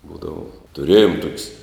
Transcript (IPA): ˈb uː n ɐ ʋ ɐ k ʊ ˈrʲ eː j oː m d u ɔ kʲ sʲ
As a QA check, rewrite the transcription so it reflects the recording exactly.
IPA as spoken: ˈb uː d ɐ ʋ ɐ t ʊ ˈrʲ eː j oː m t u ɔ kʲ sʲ